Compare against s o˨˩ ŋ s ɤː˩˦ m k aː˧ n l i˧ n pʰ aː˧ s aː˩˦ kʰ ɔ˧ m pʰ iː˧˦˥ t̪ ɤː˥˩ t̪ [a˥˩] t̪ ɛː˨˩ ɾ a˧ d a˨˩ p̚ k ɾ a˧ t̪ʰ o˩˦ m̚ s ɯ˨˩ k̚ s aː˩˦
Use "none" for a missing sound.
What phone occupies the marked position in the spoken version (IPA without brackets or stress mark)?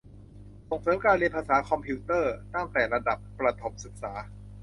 a˥˩